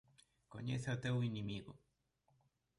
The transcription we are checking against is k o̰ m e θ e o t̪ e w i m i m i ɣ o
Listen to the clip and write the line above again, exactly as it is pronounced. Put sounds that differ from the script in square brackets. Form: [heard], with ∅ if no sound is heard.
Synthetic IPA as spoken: k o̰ [ɲ] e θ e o t̪ e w i [n] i m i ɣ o